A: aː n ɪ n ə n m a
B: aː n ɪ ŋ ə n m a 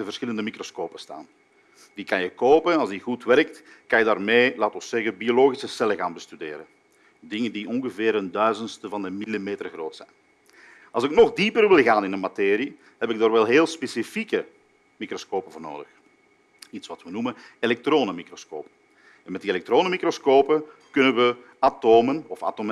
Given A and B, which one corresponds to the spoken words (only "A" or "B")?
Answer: A